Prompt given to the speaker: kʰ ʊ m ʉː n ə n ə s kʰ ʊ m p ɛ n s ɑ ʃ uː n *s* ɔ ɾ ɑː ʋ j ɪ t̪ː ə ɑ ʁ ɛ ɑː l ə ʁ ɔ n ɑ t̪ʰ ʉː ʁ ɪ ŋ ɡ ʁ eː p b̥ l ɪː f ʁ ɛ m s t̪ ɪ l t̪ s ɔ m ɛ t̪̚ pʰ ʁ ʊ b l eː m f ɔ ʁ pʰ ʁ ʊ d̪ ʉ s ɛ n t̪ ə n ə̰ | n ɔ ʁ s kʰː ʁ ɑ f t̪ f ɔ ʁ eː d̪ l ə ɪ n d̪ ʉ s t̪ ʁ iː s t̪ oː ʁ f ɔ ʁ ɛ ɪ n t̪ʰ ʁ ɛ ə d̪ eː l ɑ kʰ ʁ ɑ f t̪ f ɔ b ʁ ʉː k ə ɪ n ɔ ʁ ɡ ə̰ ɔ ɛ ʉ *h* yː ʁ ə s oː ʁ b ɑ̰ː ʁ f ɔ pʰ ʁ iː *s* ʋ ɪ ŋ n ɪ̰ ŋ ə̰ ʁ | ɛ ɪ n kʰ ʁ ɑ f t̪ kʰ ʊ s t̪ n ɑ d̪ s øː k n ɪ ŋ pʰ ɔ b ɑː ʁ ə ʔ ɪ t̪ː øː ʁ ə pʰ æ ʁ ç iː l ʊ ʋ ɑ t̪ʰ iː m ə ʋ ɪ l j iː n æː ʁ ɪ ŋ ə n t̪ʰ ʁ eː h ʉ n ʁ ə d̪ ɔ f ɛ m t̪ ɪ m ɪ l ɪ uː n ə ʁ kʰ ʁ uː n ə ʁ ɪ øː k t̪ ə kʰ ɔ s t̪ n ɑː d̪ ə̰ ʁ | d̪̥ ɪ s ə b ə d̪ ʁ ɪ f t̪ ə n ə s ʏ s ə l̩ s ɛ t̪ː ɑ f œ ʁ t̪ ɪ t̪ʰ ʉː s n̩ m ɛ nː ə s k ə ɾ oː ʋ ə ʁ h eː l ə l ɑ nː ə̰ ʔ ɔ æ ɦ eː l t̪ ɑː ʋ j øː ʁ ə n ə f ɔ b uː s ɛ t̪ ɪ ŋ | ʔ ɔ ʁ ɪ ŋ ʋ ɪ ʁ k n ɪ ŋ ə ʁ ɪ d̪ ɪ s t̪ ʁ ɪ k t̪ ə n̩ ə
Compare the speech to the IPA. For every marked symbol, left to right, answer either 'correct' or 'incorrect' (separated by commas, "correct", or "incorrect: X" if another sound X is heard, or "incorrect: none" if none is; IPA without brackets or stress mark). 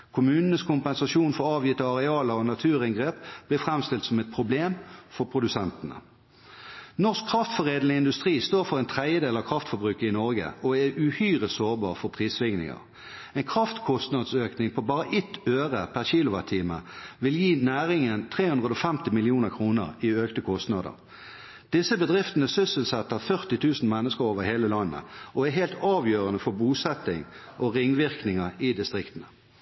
incorrect: f, correct, correct